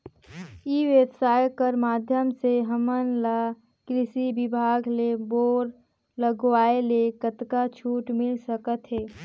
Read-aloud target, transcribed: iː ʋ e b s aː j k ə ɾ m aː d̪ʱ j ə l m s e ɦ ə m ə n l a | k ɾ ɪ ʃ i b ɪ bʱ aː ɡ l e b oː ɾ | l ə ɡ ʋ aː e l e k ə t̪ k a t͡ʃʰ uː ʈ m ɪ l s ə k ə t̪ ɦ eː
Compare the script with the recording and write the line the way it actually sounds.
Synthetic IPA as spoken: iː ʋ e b s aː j k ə ɾ m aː d̪ʱ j ə m s e ɦ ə m ə n l a | k ɾ ɪ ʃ i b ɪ bʱ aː ɡ l e b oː ɾ | l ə ɡ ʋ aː e l e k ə t̪ k a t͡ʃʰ uː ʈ m ɪ l s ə k ə t̪ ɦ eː